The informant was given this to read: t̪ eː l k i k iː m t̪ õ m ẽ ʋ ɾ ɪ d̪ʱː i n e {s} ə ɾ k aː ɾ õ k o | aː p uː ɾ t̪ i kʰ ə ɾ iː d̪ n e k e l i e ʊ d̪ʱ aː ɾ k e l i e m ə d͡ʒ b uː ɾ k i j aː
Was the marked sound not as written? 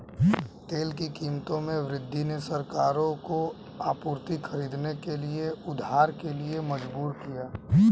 no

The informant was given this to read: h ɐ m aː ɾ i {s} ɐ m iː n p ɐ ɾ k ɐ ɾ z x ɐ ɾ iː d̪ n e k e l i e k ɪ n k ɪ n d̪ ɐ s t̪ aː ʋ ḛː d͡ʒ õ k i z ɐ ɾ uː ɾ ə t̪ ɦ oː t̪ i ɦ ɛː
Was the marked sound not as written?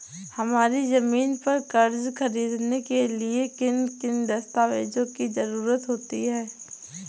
yes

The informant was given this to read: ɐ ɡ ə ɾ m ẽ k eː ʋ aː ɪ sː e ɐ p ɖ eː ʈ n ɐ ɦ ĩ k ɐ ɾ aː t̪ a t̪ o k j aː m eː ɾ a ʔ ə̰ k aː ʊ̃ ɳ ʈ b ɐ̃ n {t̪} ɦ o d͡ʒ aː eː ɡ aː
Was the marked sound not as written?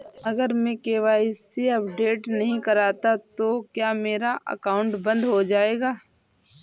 yes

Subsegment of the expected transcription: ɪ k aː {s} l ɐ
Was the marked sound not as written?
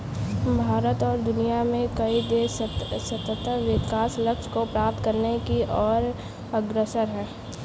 no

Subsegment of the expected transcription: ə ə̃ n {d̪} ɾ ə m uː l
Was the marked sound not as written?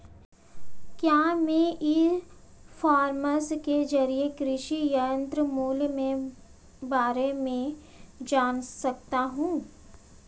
yes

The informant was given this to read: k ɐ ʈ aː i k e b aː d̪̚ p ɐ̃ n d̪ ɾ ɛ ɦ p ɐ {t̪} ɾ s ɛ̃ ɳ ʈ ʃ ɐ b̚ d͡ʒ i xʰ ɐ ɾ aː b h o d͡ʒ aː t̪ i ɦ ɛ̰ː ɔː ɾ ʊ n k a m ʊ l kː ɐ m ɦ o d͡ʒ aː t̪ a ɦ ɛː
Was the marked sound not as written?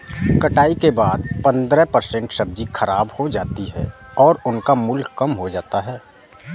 yes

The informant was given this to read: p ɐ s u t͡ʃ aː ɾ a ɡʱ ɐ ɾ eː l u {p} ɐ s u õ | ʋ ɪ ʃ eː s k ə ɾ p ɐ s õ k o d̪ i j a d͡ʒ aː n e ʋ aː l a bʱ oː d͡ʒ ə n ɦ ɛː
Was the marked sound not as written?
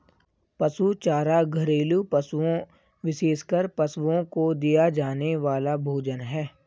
no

